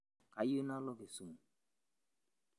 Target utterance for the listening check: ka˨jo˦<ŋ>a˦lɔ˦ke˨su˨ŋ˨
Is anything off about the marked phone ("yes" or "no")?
yes